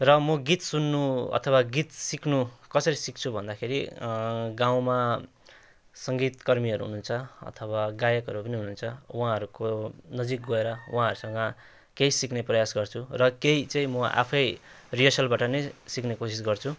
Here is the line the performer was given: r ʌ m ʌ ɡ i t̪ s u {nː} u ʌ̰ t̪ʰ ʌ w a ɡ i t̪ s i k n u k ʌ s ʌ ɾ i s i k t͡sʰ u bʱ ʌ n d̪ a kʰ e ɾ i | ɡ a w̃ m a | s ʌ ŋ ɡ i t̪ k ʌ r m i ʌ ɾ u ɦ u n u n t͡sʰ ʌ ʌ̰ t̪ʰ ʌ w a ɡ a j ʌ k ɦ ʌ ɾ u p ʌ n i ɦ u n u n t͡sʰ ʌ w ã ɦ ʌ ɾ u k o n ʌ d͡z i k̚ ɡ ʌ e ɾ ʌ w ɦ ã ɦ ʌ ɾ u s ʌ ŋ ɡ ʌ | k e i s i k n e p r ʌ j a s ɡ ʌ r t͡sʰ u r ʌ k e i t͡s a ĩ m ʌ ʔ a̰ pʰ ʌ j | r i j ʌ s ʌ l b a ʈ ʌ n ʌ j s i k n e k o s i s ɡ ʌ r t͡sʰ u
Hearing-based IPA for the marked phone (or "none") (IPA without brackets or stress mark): nː